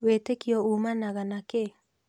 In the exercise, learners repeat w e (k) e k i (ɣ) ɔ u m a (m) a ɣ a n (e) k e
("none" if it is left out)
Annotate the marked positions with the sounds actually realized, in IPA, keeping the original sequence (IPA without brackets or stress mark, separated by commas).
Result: t, none, n, a